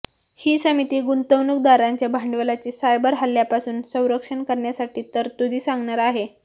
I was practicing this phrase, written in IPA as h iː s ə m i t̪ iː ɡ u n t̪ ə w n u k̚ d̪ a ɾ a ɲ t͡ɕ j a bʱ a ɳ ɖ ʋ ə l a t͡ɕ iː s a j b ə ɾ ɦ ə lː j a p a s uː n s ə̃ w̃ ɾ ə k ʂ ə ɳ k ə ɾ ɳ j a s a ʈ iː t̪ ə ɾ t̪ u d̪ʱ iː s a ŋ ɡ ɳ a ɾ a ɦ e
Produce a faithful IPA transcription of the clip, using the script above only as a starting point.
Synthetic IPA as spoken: h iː s ə m i t̪ iː ɡ u n t̪ ə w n u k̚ d̪ a ɾ a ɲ t͡ɕ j a bʱ a ɳ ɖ ʋ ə l a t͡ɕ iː s a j b ə ɾ ɦ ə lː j a p a s uː n s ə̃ w̃ ɾ ə k ʂ ə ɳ k ə ɾ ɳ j a s a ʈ iː t̪ ə ɾ t̪ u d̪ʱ iː s a ŋ ɡ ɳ a ɾ a ɦ e